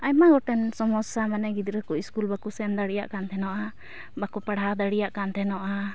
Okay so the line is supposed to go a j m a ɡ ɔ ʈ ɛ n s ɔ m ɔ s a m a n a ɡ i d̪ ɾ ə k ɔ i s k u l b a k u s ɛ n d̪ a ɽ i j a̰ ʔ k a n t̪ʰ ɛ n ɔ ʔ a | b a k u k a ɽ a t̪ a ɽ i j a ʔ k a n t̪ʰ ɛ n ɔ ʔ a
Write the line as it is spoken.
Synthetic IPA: a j m a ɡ ɔ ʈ ɛ n s ɔ m ɔ s a m a n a ɡ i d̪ ɾ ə k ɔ i s k u l b a k u s ɛ n d̪ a ɽ i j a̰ ʔ k a n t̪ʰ ɛ n ɔ ʔ a | b a k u p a ɽ a d̪ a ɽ i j a ʔ k a n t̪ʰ ɛ n ɔ ʔ a